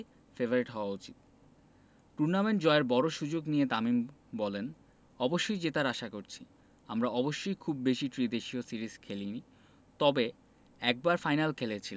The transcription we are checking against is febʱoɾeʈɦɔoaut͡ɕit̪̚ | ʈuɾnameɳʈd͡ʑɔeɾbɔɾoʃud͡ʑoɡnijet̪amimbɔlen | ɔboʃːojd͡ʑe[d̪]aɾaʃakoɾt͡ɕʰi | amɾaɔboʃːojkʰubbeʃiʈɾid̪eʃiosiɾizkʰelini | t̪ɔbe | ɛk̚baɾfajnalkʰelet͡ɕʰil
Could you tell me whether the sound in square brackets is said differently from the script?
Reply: yes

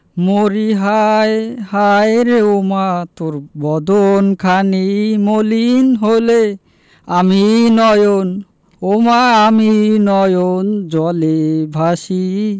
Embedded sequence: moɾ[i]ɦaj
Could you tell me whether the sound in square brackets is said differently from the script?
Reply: no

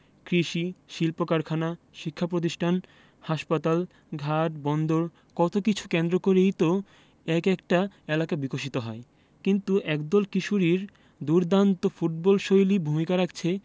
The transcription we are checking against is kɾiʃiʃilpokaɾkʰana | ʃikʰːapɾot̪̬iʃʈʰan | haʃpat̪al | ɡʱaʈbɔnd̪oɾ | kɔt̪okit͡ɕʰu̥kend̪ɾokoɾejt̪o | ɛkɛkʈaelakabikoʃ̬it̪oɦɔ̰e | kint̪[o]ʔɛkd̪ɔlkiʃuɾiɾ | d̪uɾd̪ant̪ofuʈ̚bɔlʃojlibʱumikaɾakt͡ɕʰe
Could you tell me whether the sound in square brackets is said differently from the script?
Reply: yes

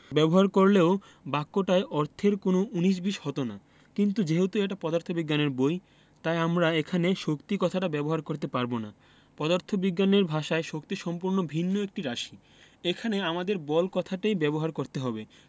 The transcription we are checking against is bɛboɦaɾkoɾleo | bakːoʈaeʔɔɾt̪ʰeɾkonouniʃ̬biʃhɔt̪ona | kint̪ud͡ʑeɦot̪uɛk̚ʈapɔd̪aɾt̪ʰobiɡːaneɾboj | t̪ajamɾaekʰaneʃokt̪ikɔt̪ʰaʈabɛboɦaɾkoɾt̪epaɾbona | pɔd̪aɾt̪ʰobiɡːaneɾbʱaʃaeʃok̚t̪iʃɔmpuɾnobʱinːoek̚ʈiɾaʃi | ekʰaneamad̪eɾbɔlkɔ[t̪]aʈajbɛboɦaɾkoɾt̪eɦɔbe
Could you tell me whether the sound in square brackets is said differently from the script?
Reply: yes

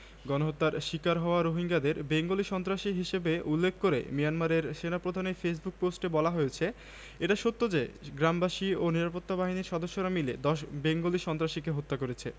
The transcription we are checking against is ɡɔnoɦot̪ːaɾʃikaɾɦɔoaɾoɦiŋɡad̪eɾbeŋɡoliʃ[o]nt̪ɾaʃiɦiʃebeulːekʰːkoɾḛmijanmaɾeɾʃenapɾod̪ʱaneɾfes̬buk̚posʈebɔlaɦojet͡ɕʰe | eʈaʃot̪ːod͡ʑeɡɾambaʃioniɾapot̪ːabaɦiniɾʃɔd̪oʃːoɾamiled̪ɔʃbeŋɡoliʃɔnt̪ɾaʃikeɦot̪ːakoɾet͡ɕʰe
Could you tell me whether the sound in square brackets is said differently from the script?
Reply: yes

